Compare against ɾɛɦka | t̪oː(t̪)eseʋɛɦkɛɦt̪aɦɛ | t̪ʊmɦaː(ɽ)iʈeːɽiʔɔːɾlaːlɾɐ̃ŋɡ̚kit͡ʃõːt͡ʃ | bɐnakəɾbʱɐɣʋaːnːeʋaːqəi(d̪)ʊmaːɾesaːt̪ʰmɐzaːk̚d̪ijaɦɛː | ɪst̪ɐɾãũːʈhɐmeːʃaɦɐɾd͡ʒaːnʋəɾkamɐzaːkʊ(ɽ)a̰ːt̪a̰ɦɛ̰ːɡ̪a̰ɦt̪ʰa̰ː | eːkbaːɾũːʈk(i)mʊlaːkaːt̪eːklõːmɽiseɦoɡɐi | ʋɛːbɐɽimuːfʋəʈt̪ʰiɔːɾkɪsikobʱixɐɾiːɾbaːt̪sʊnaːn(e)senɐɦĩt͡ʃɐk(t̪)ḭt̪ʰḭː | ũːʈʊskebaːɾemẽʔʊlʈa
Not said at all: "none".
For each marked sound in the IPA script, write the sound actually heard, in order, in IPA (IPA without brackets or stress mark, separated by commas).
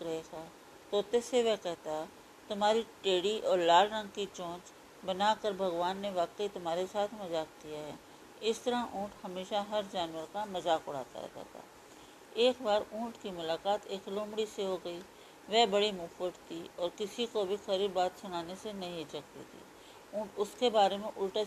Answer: t̪, ɾ, t̪, ɽ, i, e, t̪